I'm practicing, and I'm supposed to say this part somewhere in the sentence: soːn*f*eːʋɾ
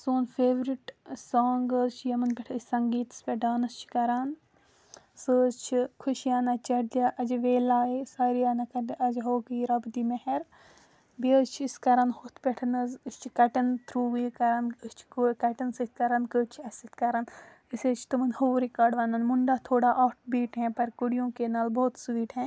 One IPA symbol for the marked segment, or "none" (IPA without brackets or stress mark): f